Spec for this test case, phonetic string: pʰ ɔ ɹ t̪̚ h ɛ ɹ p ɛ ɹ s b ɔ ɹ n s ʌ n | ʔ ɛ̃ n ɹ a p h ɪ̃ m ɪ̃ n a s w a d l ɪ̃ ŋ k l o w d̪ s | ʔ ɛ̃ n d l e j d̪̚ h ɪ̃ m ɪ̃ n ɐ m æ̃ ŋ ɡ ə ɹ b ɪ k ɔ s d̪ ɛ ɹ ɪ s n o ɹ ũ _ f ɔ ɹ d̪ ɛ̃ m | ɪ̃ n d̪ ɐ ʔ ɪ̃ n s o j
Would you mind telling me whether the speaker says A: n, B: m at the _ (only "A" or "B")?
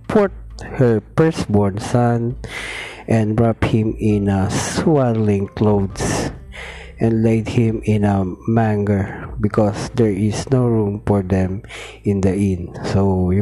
B